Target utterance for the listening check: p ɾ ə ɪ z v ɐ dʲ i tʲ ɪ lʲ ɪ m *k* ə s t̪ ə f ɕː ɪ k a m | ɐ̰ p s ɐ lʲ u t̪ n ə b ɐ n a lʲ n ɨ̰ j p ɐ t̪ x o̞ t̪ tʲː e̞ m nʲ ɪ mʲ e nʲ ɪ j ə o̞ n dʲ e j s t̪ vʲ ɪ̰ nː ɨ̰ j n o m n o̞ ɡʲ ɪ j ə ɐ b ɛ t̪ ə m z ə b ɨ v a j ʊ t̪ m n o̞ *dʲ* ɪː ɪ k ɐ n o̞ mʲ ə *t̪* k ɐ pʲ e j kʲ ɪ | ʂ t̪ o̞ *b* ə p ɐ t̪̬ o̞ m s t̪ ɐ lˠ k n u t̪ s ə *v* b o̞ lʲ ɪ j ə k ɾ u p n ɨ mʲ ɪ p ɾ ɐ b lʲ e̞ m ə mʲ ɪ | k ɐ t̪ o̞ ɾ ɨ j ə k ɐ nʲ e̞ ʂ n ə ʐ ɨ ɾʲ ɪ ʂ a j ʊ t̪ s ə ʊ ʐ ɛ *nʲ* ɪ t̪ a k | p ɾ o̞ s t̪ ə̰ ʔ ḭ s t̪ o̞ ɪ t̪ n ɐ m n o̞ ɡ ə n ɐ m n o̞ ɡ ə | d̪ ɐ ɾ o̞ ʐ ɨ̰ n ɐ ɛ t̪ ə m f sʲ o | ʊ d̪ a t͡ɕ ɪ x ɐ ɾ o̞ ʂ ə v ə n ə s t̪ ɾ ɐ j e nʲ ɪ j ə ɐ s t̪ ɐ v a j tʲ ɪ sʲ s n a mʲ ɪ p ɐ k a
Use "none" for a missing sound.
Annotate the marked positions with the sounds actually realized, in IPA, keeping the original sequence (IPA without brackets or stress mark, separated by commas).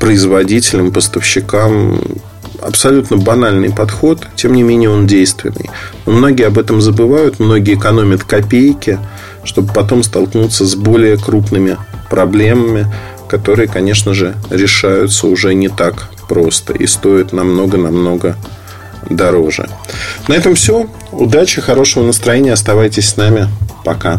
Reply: p, ɡʲ, t̪, b, z, nʲ